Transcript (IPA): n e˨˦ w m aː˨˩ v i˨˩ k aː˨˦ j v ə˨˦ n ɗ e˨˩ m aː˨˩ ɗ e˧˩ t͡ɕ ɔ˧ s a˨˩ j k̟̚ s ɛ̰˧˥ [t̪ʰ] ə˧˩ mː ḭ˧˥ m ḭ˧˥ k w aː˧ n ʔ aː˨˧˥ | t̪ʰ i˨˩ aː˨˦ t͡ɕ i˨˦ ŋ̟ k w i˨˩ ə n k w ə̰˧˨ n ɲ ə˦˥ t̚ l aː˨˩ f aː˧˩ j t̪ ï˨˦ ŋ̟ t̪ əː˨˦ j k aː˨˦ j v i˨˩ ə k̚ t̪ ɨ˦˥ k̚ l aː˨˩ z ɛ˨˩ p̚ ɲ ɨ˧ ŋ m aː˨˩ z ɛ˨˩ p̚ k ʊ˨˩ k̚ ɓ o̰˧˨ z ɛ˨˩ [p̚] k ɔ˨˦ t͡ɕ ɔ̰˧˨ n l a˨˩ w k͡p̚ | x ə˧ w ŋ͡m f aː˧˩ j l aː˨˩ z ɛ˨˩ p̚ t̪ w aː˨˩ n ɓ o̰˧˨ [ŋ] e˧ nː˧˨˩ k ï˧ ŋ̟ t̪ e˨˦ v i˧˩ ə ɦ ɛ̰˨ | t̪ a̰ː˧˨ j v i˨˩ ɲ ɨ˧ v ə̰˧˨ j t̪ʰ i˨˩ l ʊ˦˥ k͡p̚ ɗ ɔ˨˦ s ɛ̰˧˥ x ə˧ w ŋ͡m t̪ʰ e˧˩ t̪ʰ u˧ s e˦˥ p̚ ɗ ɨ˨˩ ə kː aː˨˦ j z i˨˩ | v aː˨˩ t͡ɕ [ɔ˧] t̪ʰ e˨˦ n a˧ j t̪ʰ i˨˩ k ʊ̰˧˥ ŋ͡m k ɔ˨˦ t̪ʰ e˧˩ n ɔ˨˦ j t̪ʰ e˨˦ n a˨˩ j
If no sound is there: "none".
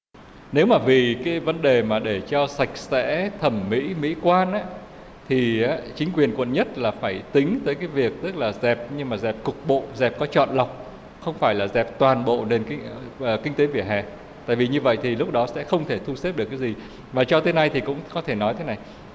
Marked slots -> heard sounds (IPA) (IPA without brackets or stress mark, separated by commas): t̪ʰ, p̚, n, ɔ˧